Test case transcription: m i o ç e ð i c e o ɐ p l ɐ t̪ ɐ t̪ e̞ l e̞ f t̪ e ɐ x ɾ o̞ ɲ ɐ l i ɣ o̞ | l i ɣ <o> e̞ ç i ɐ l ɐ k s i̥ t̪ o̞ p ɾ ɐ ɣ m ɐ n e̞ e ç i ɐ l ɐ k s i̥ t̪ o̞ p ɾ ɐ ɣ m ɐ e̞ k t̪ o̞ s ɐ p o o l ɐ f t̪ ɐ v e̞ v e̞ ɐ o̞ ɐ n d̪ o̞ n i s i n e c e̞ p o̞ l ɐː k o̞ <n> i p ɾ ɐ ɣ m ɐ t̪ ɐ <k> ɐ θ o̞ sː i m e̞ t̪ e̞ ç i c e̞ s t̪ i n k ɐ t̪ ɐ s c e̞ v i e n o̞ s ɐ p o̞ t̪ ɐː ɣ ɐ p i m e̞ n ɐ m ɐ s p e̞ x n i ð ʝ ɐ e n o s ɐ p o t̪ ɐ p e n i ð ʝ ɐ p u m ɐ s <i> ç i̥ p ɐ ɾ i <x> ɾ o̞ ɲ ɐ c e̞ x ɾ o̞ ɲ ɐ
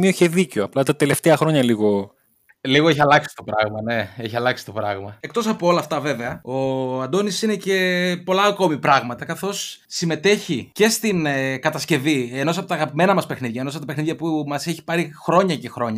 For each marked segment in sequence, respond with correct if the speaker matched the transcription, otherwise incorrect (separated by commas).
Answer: correct, incorrect, correct, incorrect, correct